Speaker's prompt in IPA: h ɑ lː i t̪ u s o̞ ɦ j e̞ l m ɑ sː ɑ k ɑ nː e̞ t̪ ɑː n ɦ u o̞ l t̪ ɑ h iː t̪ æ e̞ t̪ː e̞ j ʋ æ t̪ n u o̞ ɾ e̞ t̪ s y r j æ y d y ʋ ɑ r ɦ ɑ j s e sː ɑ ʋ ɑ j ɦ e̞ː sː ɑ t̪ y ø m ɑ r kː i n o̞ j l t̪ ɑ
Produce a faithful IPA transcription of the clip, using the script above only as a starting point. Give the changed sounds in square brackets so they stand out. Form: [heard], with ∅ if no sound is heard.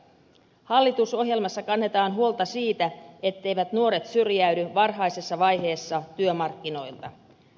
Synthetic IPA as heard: h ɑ lː i t̪ u s o̞ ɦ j e̞ l m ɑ sː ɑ k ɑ nː e̞ t̪ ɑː n ɦ u o̞ l t̪ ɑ [s] iː t̪ æ e̞ t̪ː e̞ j ʋ æ t̪ n u o̞ ɾ e̞ t̪ s y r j æ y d y ʋ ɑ r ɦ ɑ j s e sː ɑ ʋ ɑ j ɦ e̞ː sː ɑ t̪ y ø m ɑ r kː i n o̞ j l t̪ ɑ